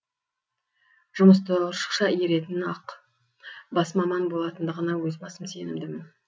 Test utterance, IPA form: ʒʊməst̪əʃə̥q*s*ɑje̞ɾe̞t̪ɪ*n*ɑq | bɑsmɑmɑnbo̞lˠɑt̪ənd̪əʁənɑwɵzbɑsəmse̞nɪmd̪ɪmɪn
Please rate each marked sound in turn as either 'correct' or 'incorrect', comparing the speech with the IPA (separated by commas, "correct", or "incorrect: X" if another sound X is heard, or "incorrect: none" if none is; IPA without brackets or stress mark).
incorrect: ʃ, correct